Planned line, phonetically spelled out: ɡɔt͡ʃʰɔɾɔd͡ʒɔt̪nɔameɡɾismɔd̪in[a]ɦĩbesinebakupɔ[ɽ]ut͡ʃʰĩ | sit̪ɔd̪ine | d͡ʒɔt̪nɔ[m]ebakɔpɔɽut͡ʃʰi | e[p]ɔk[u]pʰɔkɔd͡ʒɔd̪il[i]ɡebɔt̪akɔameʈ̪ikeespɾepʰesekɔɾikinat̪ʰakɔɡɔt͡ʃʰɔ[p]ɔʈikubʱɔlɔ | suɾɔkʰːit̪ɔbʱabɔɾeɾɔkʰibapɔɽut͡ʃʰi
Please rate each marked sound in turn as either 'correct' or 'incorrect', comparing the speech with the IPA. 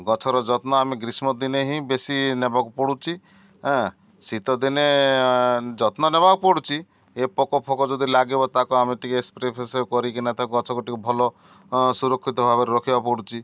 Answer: incorrect, correct, incorrect, correct, incorrect, incorrect, incorrect

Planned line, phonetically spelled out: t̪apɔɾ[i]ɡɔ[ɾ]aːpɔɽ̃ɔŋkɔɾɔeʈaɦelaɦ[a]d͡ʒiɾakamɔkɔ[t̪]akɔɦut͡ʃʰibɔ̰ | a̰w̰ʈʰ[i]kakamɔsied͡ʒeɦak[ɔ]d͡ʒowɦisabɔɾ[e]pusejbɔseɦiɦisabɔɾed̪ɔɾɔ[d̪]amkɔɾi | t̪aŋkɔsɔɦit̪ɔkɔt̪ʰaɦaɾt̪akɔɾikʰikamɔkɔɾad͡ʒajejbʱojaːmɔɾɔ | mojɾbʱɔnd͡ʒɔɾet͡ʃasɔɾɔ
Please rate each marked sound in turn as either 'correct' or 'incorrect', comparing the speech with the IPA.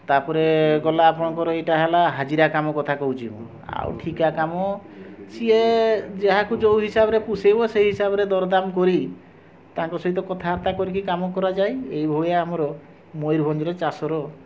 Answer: incorrect, incorrect, correct, incorrect, correct, incorrect, correct, correct

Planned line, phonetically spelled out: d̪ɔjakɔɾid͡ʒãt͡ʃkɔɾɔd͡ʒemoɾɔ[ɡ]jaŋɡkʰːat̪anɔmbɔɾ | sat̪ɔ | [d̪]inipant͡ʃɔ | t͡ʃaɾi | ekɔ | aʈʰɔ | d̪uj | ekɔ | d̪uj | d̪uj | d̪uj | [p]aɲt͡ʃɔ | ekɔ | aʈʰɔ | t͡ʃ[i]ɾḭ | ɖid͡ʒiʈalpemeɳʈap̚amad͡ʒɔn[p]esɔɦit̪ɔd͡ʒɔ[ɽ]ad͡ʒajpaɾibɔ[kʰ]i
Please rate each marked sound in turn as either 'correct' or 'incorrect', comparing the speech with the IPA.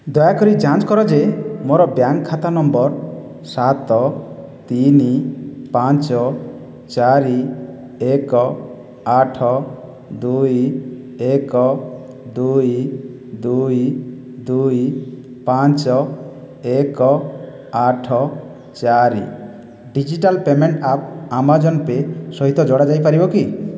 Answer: incorrect, incorrect, correct, incorrect, correct, correct, incorrect

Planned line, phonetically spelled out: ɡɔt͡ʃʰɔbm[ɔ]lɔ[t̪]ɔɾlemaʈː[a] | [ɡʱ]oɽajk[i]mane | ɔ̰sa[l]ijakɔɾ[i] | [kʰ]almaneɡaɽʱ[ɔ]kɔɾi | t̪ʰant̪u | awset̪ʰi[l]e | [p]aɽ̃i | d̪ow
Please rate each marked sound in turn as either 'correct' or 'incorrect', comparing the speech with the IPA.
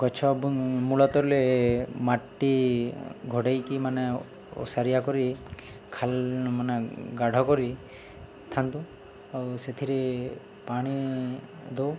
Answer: incorrect, correct, incorrect, correct, correct, incorrect, correct, correct, correct, incorrect, correct

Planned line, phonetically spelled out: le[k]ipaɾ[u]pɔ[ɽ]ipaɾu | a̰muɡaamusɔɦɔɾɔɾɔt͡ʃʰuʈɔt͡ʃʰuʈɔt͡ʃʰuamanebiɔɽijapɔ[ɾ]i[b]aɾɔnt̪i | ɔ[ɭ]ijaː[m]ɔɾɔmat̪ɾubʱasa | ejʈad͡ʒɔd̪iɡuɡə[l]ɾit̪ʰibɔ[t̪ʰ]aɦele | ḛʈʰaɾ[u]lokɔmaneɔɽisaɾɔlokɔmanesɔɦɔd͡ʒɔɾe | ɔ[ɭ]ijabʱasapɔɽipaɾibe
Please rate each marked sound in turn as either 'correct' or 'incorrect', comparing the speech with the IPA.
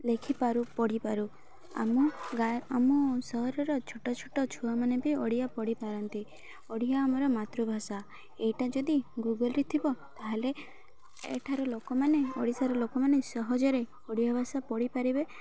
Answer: incorrect, correct, correct, incorrect, incorrect, incorrect, correct, correct, incorrect, incorrect, incorrect

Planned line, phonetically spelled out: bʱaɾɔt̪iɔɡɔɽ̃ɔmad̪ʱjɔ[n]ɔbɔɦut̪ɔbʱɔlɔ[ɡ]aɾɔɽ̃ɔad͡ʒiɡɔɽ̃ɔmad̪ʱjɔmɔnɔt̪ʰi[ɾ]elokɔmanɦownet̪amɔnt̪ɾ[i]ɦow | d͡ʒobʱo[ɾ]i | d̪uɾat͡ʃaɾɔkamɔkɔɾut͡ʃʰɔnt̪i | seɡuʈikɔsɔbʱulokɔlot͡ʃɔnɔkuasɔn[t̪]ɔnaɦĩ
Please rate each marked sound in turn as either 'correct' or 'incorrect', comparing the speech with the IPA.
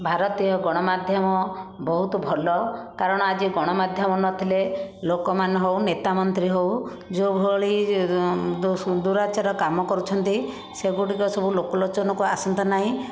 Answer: incorrect, incorrect, incorrect, correct, incorrect, correct

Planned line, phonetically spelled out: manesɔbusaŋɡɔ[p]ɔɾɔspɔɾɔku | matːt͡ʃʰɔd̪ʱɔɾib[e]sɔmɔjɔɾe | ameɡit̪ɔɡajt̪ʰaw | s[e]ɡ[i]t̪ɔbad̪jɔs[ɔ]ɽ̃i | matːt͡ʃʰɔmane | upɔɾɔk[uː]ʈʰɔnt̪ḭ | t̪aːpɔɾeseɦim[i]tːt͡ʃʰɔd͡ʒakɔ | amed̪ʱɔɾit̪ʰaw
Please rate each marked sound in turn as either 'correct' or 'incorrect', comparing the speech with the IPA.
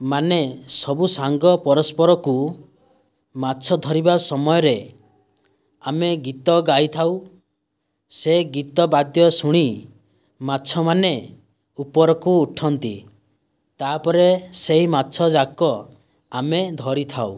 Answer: correct, incorrect, correct, correct, incorrect, correct, incorrect

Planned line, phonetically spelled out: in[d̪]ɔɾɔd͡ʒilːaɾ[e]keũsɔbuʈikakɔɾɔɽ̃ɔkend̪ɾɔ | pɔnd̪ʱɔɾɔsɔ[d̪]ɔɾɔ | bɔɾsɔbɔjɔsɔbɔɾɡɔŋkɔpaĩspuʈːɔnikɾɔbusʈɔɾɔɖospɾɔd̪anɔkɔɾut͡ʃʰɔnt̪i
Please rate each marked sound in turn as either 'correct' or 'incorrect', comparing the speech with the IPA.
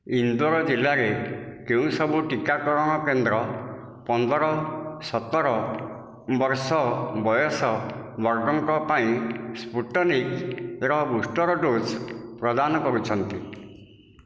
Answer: correct, correct, incorrect

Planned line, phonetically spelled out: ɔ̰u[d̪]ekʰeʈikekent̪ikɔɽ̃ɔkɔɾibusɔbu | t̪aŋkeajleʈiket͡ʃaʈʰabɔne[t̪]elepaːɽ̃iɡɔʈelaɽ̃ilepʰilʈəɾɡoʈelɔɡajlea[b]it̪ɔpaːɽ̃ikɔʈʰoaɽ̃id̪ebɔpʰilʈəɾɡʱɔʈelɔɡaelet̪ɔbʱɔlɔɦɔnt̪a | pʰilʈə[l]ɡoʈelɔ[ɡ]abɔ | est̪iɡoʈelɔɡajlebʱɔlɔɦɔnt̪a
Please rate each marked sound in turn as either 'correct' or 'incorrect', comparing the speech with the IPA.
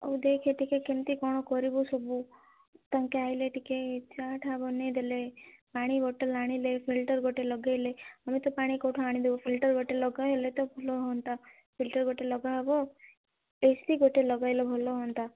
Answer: correct, incorrect, incorrect, incorrect, correct

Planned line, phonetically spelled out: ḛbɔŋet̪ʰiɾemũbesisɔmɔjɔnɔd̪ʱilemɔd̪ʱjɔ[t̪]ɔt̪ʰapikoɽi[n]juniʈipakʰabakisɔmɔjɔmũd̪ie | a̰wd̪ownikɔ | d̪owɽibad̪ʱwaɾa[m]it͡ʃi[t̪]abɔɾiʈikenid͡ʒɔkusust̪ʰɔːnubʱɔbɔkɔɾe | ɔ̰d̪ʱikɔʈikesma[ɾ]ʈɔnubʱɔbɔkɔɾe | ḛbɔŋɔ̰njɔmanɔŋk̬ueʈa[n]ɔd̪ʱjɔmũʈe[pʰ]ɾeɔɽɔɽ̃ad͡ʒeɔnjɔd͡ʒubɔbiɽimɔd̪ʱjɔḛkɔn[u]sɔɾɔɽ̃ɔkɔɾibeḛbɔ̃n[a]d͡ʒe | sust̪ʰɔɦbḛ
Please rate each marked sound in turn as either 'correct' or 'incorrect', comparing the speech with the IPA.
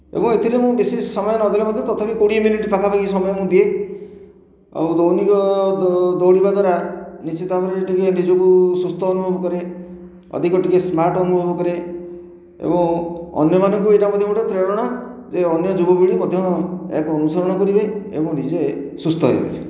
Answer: correct, incorrect, incorrect, correct, correct, incorrect, incorrect, correct, incorrect

